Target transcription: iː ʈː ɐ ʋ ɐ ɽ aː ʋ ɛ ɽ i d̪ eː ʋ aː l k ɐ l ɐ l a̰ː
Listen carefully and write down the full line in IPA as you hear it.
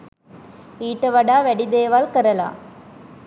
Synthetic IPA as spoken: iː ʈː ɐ ʋ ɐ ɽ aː ʋ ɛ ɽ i d̪ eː ʋ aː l k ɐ ɾ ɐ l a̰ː